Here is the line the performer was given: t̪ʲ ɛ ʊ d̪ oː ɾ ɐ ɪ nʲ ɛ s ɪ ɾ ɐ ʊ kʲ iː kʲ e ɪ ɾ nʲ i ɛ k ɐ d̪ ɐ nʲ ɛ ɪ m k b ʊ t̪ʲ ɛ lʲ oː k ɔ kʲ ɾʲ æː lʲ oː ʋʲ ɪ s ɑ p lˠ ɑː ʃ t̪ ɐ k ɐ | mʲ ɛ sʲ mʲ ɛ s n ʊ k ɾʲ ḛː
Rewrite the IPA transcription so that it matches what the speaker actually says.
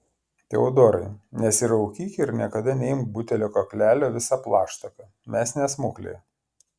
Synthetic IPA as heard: t̪ʲ ɛ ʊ d̪ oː ɾ ɐ ɪ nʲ ɛ s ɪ ɾ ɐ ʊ kʲ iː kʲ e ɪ ɾ nʲ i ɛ k ɐ d̪ ɐ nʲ ɛ ɪ m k b ʊ t̪ʲ ɛ lʲ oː k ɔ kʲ lʲ æː lʲ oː ʋʲ ɪ s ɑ p lˠ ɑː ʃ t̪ ɐ k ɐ | mʲ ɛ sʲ nʲ ɛ s m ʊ k lʲ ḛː

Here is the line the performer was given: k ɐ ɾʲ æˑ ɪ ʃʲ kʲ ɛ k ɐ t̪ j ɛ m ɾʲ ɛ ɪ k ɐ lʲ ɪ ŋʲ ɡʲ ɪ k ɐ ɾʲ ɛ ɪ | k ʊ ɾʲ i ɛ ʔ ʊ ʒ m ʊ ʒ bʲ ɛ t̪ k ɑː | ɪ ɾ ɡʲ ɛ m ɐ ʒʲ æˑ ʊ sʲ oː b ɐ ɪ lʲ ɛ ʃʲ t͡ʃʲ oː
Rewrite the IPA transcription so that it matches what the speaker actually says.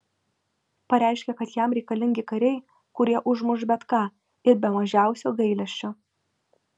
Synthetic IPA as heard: p ɐ ɾʲ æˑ ɪ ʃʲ kʲ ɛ k ɐ t̪ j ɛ m ɾʲ ɛ ɪ k ɐ lʲ ɪ ŋʲ ɡʲ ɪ k ɐ ɾʲ ɛ ɪ | k ʊ ɾʲ i ɛ ʔ ʊ ʒ m ʊ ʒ bʲ ɛ t̪ k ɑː | ɪ ɾ bʲ ɛ m ɐ ʒʲ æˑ ʊ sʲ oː ɡ ɐ ɪ lʲ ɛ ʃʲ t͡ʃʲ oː

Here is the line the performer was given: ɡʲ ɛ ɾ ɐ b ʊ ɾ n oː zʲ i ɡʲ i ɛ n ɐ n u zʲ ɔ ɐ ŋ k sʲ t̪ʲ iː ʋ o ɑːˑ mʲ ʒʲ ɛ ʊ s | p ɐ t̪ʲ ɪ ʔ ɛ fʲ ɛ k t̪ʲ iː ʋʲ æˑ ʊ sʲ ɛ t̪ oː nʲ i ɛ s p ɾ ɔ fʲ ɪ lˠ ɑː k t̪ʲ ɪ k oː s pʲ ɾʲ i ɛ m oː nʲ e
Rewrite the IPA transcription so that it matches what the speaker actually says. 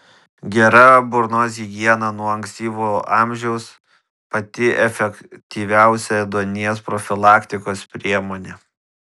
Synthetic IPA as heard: ɡʲ ɛ ɾ ɐ b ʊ ɾ n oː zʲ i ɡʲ i ɛ n ɐ n u ɔ ɐ ŋ k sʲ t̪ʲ iː ʋ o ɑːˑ mʲ ʒʲ ɛ ʊ s | p ɐ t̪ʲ ɪ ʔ ɛ fʲ ɛ k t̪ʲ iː ʋʲ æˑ ʊ sʲ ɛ d̪ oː nʲ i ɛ s p ɾ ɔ fʲ ɪ lˠ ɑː k t̪ʲ ɪ k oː s pʲ ɾʲ i ɛ m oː nʲ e

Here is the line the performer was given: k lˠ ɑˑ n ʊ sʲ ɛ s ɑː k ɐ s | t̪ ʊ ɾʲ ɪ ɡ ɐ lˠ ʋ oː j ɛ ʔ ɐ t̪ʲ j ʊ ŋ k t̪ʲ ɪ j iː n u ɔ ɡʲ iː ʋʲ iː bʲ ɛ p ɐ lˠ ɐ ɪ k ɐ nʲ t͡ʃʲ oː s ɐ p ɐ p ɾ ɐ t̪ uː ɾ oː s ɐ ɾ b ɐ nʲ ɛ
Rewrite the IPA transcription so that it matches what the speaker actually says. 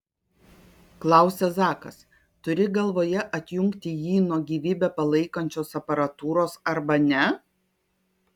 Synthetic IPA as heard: k lˠ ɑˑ ʊ sʲ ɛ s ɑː k ɐ s | t̪ ʊ ɾʲ ɪ ɡ ɐ lˠ ʋ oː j ɛ ʔ ɐ t̪ʲ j ʊ ŋ k t̪ʲ ɪ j iː n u ɔ ɡʲ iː ʋʲ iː bʲ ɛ p ɐ lˠ ɐ ɪ k ɐ nʲ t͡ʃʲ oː s ɐ p ɐ ɾ ɐ t̪ uː ɾ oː s ɐ ɾ b ɐ nʲ ɛ

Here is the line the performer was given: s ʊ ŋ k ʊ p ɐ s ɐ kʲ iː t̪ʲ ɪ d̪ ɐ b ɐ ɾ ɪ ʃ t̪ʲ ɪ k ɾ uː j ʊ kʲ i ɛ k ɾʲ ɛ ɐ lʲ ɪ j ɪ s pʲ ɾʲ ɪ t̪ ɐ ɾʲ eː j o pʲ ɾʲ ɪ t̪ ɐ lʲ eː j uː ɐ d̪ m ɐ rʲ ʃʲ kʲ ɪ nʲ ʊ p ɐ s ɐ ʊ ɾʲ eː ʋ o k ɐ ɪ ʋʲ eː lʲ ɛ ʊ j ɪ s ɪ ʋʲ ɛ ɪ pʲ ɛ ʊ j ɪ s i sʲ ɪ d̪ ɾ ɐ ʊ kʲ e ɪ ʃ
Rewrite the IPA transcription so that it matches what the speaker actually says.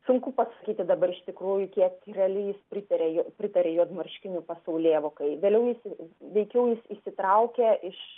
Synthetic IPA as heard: s ʊ ŋ k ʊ p ɐ s ɐ kʲ iː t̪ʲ ɪ d̪ ɐ b ɐ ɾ ɪ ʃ t̪ʲ ɪ k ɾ uː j ʊ kʲ i ɛ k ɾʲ ɛ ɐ lʲ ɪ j ɪ s pʲ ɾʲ ɪ t̪ ɐ ɾʲ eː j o pʲ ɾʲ ɪ t̪ ɐ ɾʲ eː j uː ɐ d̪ m ɐ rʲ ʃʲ kʲ ɪ nʲ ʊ p ɐ s ɐ ʊ lʲ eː ʋ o k ɐ ɪ ʋʲ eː lʲ ɛ ʊ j ɪ s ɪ ʋʲ ɛ ɪ kʲ ɛ ʊ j ɪ s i sʲ ɪ t̪ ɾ ɐ ʊ kʲ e ɪ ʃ

